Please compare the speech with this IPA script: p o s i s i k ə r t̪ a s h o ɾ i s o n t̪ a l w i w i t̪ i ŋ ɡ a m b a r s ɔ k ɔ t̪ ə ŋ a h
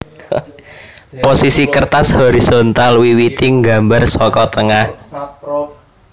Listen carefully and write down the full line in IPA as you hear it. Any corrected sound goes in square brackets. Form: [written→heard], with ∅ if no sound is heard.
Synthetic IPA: p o s i s i k ə r t̪ a s h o ɾ i s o n t̪ a l w i w i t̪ i ŋ ɡ a m b a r s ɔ k ɔ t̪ ə ŋ a h